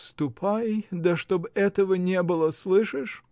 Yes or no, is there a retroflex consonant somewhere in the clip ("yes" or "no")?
yes